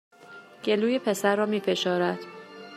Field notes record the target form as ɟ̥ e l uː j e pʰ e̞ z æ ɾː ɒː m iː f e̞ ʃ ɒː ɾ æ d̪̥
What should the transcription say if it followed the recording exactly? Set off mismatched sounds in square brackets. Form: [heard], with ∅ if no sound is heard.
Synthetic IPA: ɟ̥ e l uː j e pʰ e̞ [s] æ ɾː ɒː m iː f e̞ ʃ ɒː ɾ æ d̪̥